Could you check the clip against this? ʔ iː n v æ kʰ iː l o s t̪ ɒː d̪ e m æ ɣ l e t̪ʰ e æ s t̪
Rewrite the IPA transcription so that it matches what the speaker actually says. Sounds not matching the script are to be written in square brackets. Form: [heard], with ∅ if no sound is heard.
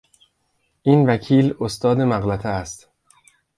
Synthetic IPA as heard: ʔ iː n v æ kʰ iː l o s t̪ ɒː d̪ e m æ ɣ l [æ] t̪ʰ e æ s t̪